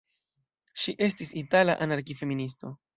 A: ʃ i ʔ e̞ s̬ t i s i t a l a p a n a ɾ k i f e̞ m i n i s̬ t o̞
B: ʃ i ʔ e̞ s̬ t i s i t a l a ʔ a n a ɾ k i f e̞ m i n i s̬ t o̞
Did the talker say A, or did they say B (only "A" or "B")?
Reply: B